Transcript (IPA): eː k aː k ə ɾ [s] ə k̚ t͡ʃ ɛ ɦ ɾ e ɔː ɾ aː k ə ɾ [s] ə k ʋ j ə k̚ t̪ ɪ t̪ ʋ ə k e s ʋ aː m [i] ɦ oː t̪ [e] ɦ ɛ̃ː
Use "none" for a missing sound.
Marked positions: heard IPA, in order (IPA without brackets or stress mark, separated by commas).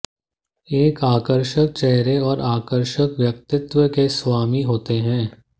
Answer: ʃ, ʃ, i, e